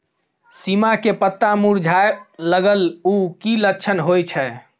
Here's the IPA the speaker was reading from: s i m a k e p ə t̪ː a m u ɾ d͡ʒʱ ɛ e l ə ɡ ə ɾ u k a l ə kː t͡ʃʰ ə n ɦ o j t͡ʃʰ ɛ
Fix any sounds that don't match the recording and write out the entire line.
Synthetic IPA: s i m a k e p ə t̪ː a m u ɾ d͡ʒʱ a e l ə ɡ ə l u k i l ə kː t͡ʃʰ ə n ɦ o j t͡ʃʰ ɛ